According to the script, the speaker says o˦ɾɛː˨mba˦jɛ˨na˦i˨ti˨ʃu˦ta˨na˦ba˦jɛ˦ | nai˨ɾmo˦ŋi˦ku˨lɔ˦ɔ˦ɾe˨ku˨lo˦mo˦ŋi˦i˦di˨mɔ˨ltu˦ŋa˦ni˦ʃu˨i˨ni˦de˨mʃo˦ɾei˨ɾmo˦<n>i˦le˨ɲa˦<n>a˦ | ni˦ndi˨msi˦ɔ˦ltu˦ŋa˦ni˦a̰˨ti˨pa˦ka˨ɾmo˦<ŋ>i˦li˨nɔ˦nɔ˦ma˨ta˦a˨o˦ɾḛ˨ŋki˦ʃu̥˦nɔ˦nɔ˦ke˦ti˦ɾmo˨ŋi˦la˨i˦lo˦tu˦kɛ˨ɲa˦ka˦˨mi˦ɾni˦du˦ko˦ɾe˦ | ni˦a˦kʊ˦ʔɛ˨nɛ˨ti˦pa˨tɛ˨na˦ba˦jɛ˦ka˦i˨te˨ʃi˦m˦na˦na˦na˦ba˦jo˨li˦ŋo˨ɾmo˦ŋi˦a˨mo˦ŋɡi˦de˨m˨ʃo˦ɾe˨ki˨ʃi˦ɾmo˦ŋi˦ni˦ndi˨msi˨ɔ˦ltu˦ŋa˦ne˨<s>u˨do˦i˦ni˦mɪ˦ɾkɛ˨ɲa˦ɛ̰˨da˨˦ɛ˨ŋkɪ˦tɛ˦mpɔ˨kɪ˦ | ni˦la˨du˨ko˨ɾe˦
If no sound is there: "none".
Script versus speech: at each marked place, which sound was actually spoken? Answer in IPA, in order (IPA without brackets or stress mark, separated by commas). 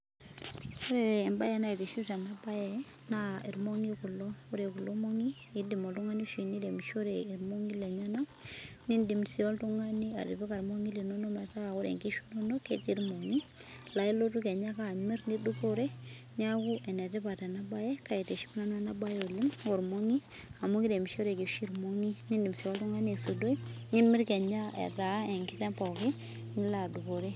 ŋ, n, ŋ, s